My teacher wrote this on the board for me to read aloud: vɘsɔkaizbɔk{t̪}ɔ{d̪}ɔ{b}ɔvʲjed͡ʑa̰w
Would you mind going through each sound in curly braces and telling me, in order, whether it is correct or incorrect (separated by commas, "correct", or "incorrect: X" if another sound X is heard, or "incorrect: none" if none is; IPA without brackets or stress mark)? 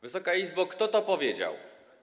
correct, incorrect: t̪, incorrect: p